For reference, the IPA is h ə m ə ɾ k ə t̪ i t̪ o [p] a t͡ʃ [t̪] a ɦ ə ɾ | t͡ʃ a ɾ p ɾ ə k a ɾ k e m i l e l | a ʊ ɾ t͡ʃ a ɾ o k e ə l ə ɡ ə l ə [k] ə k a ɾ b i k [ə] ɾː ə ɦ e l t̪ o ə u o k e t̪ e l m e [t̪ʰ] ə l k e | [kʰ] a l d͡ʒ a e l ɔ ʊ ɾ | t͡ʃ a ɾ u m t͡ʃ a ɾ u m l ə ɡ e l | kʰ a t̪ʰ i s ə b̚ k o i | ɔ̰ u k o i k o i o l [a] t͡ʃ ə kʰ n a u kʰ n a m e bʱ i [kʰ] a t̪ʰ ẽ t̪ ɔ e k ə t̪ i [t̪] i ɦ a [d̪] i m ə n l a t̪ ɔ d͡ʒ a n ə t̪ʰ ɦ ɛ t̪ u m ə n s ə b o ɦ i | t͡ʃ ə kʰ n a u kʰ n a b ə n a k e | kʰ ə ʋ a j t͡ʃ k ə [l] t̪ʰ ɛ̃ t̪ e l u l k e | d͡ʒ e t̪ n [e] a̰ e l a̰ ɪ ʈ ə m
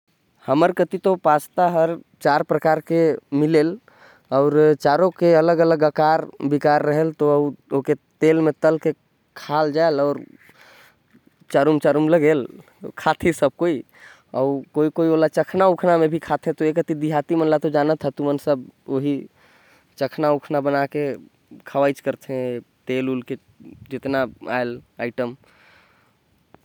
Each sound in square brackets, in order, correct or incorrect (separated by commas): correct, correct, incorrect, incorrect, incorrect, correct, correct, correct, incorrect, incorrect, incorrect, incorrect